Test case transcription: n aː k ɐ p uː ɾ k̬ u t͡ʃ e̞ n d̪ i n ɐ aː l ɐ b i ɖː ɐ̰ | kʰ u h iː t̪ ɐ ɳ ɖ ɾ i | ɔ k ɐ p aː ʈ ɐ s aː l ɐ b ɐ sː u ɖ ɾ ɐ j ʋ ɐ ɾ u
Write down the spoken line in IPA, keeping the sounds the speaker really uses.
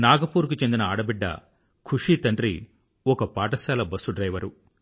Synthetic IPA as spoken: n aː ɡ ɐ p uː ɾ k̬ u t͡ʃ e̞ n d̪ i n ɐ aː ɽ ɐ b i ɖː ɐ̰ | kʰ u ʂ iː t̪ ɐ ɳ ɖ ɾ i | ɔ k ɐ p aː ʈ ɐ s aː l ɐ b ɐ sː u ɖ ɾ ɐ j ʋ ɐ ɾ u